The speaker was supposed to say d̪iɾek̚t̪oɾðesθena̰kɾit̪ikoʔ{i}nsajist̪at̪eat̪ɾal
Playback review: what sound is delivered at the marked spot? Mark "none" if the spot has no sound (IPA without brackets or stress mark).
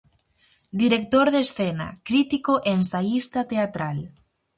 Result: e